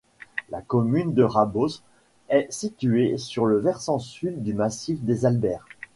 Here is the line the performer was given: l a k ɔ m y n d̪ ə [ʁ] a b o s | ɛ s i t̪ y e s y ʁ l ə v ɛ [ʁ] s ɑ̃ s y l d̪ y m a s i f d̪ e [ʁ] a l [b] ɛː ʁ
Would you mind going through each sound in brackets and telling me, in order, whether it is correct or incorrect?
correct, correct, incorrect: z, correct

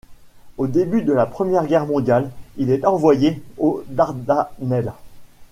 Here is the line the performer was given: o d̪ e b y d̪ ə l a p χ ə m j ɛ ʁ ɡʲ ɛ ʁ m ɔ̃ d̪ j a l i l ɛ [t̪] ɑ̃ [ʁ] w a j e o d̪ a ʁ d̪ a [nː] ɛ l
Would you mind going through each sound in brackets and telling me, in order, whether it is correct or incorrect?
correct, incorrect: v, incorrect: n

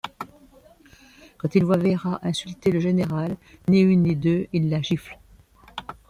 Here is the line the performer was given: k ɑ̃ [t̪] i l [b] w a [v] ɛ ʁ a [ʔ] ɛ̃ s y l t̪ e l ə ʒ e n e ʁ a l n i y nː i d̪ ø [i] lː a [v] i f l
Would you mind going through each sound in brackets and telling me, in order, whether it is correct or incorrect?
correct, incorrect: v, correct, correct, correct, incorrect: ʒ

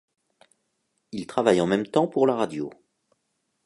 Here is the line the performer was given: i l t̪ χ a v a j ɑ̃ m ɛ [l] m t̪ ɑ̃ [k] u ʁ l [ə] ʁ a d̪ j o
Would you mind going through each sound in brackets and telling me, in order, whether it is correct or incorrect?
incorrect: none, incorrect: p, incorrect: a

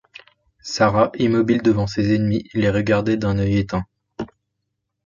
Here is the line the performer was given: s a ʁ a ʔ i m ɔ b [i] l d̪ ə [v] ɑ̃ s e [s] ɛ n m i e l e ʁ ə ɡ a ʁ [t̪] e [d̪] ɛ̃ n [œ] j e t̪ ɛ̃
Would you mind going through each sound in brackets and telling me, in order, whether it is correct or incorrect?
correct, correct, incorrect: z, incorrect: d̪, correct, correct

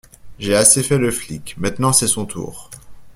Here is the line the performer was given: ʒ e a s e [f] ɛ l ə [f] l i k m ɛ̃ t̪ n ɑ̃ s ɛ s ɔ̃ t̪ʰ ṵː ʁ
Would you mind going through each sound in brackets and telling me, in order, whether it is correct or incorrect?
correct, correct

